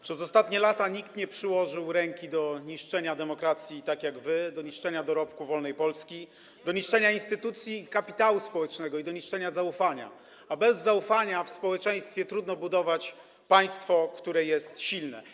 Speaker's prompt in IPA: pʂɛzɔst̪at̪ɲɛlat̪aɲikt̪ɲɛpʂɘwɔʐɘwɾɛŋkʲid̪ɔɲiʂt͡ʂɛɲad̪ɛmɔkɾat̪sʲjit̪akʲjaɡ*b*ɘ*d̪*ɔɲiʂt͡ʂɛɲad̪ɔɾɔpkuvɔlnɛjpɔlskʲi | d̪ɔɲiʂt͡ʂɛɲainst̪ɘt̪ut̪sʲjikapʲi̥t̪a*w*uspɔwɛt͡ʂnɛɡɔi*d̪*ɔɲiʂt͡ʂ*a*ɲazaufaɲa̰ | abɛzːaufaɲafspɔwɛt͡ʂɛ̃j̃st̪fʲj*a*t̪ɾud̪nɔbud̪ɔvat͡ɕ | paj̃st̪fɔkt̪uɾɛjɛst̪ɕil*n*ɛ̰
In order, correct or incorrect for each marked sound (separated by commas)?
incorrect, correct, correct, correct, incorrect, incorrect, correct